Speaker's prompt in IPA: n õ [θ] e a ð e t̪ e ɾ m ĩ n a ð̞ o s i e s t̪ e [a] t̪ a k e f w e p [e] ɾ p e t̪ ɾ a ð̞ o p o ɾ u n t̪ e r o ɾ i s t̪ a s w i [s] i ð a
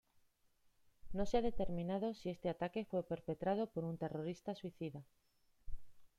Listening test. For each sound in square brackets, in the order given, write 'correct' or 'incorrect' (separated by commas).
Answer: incorrect, correct, correct, incorrect